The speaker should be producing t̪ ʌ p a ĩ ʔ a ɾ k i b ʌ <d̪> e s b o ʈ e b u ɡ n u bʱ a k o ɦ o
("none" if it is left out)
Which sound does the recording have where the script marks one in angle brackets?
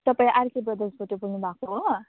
d̪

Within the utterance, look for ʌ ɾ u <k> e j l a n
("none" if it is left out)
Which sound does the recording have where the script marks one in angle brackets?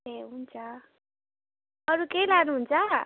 k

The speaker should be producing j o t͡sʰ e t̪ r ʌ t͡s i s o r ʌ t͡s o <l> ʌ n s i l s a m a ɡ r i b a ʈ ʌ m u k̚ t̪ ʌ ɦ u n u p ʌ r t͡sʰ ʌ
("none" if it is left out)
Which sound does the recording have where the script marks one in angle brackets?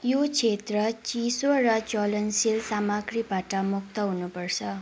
l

